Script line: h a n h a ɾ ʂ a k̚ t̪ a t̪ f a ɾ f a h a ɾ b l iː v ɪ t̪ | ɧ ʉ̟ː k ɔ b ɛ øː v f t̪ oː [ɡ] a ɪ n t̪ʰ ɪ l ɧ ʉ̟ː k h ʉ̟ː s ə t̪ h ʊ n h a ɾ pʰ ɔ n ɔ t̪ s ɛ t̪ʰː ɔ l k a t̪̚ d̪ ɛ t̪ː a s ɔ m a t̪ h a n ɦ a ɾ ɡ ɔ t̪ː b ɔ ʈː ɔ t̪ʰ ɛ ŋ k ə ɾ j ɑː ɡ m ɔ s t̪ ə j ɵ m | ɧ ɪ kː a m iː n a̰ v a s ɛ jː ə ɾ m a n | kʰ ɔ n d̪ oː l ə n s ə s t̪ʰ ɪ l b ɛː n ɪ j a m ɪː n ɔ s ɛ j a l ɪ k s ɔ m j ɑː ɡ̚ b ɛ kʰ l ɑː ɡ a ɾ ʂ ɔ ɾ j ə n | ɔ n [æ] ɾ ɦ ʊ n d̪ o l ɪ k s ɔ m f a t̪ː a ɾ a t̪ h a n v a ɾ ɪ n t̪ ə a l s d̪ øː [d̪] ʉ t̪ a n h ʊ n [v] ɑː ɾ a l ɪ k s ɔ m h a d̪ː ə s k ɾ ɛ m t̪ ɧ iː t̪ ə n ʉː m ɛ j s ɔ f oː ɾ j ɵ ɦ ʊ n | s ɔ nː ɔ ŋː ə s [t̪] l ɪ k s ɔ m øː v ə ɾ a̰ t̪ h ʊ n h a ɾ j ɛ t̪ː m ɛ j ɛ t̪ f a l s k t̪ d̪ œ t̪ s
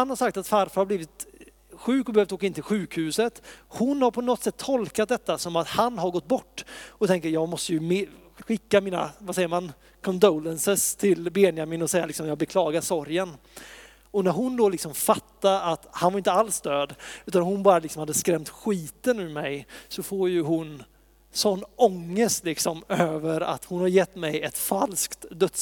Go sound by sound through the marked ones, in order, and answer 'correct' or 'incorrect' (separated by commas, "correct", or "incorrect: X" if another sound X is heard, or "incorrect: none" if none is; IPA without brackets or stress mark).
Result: incorrect: k, correct, correct, incorrect: b, correct